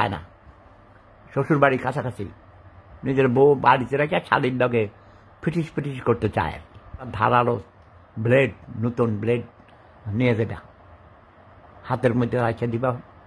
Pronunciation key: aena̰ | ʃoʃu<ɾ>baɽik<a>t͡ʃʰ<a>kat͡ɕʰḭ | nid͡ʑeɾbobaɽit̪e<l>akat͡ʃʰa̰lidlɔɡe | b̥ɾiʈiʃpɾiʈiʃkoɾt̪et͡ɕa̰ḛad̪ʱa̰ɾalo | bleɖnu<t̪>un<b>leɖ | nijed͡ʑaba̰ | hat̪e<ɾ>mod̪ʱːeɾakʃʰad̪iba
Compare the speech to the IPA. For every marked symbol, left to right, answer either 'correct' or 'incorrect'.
correct, correct, correct, incorrect: ɾ, correct, correct, correct

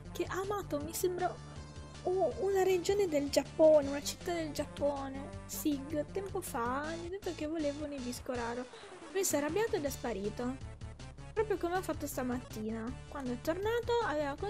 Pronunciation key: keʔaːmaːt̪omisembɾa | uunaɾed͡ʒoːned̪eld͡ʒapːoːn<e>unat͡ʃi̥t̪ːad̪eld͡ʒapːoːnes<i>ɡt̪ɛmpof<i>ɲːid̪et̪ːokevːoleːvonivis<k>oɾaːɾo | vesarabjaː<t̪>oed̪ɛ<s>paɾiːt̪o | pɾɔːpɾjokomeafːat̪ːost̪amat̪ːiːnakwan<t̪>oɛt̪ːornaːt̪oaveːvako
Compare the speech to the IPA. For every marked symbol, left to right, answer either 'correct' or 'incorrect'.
correct, correct, incorrect: a, correct, correct, correct, incorrect: d̪

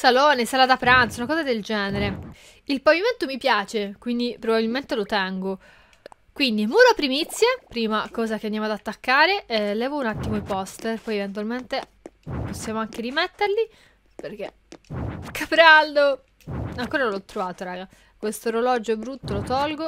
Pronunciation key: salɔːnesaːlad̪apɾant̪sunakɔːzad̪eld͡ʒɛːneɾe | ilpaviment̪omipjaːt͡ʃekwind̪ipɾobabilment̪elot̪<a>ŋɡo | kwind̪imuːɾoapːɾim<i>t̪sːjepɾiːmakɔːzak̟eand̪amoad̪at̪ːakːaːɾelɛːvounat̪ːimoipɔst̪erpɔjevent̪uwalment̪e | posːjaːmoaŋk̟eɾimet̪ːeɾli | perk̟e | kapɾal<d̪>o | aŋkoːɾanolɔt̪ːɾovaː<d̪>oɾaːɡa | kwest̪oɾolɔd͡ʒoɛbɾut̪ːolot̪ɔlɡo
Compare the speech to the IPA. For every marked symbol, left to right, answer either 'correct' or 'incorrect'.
incorrect: ɛ, correct, correct, incorrect: t̪

